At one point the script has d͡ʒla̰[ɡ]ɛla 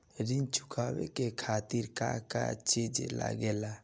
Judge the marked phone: correct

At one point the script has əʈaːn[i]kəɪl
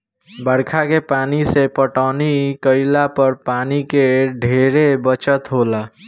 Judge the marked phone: correct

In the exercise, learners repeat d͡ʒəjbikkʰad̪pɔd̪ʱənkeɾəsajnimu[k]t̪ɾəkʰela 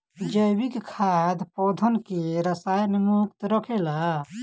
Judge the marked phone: correct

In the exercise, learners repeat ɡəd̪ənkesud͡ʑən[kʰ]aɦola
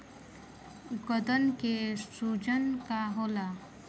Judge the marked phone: incorrect: k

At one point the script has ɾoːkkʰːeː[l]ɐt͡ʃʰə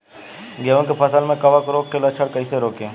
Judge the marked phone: correct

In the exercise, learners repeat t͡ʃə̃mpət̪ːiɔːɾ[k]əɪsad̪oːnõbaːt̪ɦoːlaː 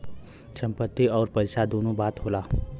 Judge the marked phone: incorrect: p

